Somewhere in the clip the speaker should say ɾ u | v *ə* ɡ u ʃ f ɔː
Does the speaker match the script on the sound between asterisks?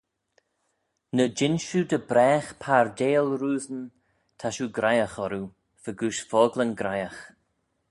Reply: yes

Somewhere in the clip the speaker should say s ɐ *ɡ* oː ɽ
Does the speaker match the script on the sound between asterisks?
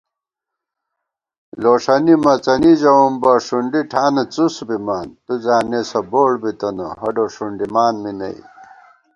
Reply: no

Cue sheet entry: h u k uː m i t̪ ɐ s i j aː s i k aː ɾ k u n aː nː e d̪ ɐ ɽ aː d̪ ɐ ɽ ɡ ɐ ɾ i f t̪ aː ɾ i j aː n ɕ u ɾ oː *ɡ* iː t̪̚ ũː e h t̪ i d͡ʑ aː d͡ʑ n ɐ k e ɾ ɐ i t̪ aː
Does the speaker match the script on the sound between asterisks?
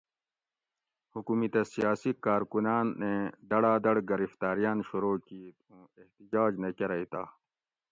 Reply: no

